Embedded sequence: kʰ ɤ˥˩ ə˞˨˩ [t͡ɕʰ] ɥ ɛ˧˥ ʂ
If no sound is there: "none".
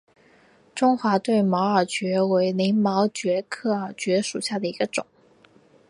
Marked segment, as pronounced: t͡ɕ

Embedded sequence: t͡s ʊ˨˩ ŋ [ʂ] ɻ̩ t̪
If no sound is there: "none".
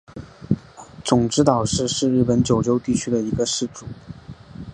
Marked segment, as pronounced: ʈ͡ʂ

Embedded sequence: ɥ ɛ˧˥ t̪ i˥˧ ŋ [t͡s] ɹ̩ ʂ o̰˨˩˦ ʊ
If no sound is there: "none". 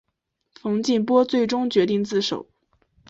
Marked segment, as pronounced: t͡s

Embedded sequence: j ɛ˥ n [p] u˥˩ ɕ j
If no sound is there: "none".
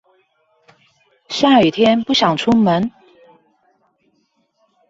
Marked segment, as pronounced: p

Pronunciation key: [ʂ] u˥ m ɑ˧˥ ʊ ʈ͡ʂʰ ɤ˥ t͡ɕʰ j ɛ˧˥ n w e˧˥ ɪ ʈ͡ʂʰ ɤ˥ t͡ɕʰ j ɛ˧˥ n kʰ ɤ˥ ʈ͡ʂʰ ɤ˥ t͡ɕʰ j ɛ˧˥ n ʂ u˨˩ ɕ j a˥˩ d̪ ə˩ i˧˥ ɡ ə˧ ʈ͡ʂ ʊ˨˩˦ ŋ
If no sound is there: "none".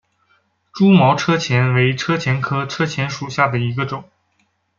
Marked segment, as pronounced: ʈ͡ʂ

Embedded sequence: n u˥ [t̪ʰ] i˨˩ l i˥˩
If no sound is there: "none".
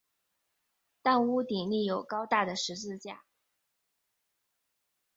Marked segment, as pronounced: t̪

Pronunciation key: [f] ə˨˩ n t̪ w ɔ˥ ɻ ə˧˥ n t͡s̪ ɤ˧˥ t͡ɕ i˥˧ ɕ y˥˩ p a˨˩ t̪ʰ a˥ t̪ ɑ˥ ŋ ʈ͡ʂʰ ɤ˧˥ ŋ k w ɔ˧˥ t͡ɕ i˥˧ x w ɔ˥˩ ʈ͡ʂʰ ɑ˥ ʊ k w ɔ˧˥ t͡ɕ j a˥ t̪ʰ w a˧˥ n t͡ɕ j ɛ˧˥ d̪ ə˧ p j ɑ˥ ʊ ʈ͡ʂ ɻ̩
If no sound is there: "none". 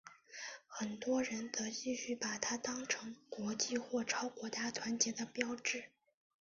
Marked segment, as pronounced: x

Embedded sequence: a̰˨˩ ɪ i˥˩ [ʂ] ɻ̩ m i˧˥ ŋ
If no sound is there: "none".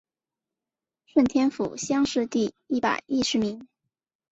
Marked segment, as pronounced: ʂ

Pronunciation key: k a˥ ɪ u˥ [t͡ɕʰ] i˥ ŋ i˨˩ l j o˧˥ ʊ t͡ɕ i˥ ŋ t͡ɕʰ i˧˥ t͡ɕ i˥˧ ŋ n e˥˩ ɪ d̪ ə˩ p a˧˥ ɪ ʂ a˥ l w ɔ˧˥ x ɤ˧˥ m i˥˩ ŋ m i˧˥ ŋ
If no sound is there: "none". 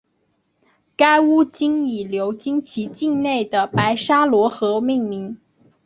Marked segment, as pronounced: t͡ɕ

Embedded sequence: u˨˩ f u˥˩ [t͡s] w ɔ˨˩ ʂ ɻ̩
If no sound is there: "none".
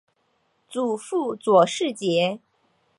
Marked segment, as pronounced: t͡s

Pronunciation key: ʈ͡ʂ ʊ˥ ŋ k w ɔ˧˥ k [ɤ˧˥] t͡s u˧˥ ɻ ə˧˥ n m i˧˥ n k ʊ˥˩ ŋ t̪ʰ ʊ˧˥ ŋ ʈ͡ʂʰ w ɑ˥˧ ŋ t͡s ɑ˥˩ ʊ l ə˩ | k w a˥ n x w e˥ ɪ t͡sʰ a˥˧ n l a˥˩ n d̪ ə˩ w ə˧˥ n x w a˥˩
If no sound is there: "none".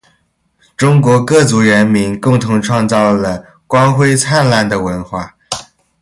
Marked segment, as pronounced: ɤ˥˩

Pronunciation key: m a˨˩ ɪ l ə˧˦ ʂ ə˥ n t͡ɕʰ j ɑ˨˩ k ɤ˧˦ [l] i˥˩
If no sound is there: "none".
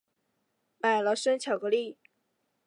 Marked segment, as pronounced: l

